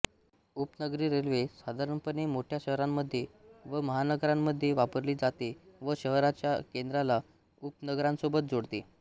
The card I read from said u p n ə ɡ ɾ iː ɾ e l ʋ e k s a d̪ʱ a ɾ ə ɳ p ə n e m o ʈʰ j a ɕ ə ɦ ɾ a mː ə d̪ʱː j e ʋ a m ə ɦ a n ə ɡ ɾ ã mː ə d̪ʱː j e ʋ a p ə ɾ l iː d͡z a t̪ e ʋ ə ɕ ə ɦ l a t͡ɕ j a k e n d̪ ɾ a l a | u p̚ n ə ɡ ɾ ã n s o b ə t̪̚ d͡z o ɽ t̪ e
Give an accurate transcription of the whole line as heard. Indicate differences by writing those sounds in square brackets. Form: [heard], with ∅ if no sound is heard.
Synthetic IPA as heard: u p n ə ɡ ɾ iː ɾ e l ʋ e [∅] s a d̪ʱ a ɾ ə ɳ p ə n e m o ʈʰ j a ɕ ə ɦ ɾ a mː ə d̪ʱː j e ʋ [ə] m ə ɦ a n ə ɡ ɾ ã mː ə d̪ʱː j e ʋ a p ə ɾ l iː d͡z a t̪ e ʋ ə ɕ ə ɦ [ɾ] a t͡ɕ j a k e n d̪ ɾ a l a | u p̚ n ə ɡ ɾ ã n s o b ə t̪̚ d͡z o ɽ t̪ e